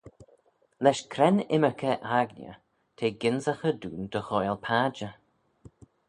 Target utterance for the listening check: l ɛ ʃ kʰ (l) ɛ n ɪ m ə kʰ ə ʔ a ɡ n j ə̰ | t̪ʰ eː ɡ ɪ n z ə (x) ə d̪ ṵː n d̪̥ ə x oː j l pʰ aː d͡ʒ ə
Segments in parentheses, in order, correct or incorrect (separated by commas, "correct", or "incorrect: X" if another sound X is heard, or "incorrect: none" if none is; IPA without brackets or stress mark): incorrect: ɾ, correct